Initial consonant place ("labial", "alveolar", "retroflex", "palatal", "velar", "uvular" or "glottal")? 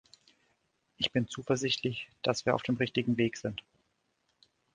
glottal